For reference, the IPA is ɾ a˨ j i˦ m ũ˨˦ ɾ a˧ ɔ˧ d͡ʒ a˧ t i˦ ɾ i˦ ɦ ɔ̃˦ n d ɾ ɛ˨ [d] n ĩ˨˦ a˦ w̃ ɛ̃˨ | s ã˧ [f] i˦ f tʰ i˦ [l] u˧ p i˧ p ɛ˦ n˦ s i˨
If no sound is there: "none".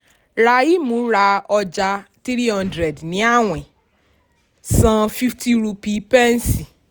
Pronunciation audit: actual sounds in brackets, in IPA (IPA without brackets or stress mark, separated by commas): d, f, ɾ